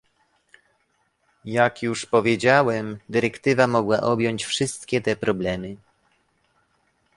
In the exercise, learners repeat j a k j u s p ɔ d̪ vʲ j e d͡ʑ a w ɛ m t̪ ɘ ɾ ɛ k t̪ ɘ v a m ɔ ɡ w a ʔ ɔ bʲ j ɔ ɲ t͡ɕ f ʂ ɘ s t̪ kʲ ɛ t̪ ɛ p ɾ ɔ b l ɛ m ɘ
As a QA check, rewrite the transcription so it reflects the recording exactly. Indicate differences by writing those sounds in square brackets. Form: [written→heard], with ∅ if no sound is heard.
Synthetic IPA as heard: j a k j u [s→ʂ] p ɔ [d̪→∅] vʲ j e d͡ʑ a w ɛ m [t̪→d̪] ɘ ɾ ɛ k t̪ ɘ v a m ɔ ɡ w a ʔ ɔ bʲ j ɔ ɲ t͡ɕ f ʂ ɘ s t̪ kʲ ɛ t̪ ɛ p ɾ ɔ b l ɛ m ɘ